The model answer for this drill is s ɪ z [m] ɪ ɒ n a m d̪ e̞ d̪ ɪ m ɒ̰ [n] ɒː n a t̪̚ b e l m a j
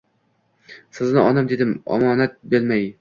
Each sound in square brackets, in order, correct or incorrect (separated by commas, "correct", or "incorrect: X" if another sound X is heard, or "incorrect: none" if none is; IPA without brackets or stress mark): incorrect: n, incorrect: m